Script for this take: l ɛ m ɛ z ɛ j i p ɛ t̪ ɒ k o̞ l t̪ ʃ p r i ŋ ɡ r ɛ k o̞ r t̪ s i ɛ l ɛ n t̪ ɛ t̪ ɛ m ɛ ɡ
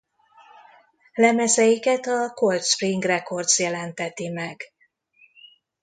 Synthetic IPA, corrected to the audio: l ɛ m ɛ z ɛ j i k ɛ t̪ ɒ k o̞ l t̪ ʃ p r i ŋ ɡ r ɛ k o̞ r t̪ s j ɛ l ɛ n t̪ ɛ t̪ i m ɛ ɡ